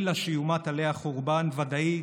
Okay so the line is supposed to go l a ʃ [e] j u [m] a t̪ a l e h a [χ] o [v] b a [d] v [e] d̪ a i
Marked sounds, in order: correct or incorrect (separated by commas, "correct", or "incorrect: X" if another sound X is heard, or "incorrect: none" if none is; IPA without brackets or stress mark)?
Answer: incorrect: i, correct, correct, incorrect: ʁ, incorrect: n, incorrect: a